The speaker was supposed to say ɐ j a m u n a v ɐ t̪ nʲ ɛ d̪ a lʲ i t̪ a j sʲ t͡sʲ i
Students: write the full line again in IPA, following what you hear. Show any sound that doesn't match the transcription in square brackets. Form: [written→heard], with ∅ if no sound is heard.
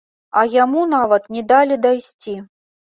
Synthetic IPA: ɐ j a m u n a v ɐ t̪ nʲ ɛ d̪ a lʲ i [t̪→d̪] a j sʲ t͡sʲ i